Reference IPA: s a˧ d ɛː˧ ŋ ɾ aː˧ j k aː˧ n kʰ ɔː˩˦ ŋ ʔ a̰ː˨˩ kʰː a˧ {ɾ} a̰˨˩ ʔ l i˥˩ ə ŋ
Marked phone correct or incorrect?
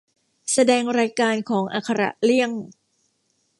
correct